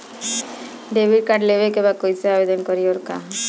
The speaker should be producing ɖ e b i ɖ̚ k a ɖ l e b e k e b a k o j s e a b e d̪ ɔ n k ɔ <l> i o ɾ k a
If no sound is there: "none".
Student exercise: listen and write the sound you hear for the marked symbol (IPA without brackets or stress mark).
ɾ